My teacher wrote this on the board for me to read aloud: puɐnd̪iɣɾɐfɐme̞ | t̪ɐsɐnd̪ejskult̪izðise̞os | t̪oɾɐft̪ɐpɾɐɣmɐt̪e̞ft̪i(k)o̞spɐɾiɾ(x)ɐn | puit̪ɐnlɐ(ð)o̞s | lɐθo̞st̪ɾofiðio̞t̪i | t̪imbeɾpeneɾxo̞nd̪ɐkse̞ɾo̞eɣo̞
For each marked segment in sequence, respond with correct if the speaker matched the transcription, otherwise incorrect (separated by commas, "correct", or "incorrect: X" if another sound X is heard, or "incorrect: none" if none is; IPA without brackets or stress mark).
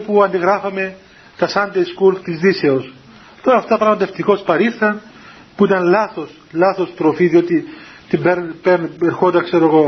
correct, incorrect: θ, incorrect: θ